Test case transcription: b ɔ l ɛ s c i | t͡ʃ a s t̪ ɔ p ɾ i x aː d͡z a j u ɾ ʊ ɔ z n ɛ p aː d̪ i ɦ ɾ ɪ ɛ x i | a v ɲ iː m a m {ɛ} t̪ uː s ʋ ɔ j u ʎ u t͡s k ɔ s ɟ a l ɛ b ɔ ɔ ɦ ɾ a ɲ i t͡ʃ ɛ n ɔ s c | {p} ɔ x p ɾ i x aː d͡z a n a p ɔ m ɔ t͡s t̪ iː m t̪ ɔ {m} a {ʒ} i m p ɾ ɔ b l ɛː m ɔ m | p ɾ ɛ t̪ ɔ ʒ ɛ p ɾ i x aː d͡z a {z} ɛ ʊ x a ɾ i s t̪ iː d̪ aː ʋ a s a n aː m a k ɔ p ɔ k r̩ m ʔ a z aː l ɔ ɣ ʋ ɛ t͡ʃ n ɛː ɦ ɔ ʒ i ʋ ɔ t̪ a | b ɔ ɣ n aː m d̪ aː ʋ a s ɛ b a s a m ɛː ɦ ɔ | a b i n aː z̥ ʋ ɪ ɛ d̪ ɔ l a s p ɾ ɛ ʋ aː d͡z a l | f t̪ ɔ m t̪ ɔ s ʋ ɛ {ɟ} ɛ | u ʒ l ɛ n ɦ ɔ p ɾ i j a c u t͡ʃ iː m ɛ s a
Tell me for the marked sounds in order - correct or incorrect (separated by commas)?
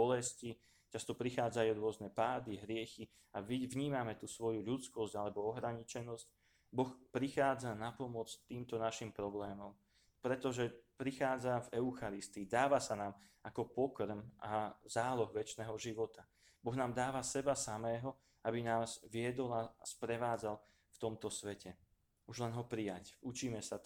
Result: correct, incorrect, incorrect, incorrect, incorrect, incorrect